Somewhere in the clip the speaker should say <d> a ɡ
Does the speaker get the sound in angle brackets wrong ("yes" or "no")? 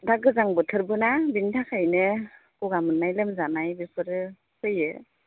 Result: no